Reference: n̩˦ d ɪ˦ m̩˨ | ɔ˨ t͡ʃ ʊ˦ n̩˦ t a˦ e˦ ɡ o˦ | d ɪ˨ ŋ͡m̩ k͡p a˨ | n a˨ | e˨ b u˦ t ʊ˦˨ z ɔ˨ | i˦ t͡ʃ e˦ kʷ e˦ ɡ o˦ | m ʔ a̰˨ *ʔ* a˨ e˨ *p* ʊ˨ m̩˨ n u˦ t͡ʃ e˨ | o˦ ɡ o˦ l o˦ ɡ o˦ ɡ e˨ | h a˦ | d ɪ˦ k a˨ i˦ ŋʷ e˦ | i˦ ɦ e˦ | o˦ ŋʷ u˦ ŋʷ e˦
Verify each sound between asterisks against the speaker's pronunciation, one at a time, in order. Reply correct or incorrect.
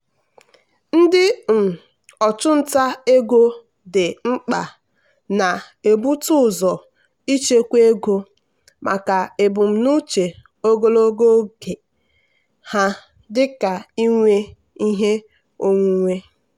incorrect, incorrect

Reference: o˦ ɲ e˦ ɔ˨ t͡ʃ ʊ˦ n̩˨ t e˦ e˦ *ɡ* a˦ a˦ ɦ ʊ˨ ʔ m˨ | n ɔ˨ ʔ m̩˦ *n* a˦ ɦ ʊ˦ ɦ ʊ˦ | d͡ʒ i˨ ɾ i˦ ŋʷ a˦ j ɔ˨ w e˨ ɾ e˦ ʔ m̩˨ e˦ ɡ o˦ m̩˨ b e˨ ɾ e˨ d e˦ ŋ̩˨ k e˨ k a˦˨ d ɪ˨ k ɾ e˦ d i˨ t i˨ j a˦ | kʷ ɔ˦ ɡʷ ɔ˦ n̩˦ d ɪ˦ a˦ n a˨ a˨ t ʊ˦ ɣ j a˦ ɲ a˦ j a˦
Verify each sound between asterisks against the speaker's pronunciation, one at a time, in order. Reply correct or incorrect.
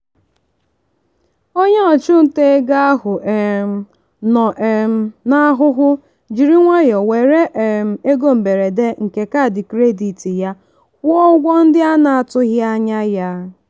correct, correct

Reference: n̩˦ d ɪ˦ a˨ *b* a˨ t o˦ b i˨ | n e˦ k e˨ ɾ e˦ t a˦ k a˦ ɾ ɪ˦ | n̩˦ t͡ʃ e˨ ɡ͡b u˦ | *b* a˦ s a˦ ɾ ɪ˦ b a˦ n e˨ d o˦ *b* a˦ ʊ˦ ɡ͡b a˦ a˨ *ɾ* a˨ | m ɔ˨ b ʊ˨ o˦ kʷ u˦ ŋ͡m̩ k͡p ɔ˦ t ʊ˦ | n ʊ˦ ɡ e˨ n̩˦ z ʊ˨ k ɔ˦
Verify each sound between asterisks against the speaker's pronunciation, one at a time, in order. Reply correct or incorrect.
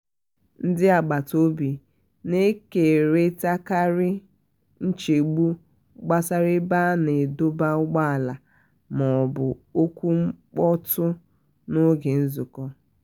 incorrect, incorrect, correct, incorrect

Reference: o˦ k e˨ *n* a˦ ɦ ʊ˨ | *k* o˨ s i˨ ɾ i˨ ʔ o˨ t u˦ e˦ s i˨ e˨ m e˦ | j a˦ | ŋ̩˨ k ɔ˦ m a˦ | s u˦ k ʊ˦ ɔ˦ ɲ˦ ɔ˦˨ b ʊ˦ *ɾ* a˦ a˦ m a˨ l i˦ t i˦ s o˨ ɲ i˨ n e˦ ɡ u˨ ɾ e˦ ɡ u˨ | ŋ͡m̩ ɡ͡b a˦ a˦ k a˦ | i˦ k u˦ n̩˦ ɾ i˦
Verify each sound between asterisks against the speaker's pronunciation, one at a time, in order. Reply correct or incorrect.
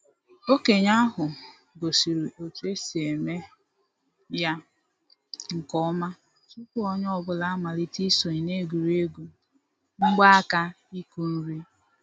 incorrect, incorrect, incorrect

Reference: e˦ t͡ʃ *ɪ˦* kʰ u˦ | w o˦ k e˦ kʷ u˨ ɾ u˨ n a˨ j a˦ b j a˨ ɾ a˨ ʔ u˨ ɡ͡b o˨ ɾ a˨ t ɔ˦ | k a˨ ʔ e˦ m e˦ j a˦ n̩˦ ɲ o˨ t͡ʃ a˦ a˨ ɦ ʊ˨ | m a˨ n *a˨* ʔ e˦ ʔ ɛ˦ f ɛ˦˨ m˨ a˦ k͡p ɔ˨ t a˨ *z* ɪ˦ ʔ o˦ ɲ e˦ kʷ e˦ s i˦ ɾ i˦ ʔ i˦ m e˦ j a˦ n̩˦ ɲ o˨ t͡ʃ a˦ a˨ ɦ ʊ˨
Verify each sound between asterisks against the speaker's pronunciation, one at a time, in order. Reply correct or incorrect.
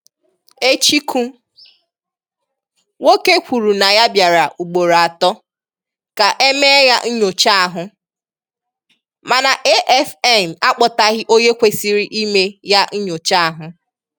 incorrect, correct, incorrect

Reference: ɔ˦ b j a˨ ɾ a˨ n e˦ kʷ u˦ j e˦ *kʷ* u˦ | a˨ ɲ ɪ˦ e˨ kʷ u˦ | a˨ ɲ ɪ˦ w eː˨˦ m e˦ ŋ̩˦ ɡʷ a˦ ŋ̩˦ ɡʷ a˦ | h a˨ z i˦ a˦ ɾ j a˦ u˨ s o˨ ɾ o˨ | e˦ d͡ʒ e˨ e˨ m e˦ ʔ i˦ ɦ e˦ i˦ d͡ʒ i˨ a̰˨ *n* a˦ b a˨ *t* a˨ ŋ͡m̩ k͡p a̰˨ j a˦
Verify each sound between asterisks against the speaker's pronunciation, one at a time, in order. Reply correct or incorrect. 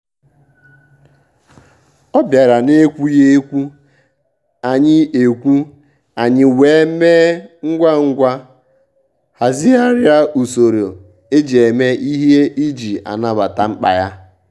correct, correct, correct

